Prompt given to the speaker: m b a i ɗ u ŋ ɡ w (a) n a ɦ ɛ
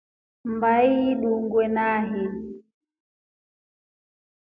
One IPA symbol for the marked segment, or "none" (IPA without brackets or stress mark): ɛ